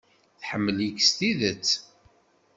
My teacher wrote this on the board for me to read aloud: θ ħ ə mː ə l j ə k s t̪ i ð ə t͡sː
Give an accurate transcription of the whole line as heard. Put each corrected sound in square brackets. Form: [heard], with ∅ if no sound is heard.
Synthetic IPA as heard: θ ħ ə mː ə l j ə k s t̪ i ð ə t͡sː